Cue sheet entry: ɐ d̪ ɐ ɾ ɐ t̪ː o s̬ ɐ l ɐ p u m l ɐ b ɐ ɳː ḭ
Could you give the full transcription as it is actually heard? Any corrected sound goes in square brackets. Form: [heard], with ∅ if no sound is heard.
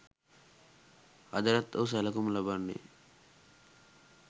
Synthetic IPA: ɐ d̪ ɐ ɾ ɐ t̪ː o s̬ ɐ l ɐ [k] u m l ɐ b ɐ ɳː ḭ